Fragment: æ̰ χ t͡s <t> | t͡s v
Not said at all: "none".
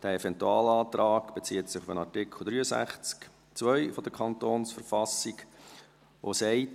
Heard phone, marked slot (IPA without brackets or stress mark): k